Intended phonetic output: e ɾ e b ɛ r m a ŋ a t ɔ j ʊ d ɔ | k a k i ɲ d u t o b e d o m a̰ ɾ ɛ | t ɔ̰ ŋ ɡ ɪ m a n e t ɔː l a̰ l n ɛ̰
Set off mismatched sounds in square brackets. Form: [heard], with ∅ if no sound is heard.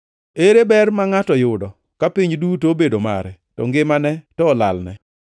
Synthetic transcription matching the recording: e ɾ e b ɛ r m a ŋ a t ɔ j ʊ d ɔ | k a [p] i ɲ d u t o b e d o m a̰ ɾ ɛ | t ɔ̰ ŋ ɡ ɪ m a n [ɛ] t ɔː l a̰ l n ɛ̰